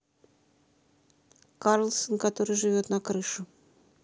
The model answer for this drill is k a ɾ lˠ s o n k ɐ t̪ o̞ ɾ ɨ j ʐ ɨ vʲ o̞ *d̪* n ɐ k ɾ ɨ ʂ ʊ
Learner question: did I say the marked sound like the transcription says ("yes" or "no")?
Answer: no